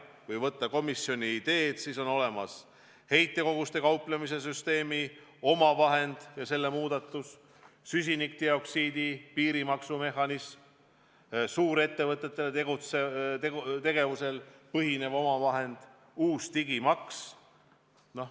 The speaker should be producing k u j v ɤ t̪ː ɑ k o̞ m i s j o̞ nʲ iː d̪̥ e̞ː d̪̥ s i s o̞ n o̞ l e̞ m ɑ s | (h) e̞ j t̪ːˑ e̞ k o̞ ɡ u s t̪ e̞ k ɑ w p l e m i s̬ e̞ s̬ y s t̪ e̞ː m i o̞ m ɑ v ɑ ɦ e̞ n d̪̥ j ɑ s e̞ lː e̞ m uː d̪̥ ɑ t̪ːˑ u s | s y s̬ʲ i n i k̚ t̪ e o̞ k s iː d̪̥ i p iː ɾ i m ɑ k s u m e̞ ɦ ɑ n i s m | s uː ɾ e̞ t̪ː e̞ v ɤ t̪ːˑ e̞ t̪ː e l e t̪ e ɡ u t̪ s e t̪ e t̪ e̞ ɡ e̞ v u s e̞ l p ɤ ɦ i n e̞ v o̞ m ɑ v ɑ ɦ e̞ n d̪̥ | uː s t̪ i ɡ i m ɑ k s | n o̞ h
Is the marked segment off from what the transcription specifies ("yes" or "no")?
no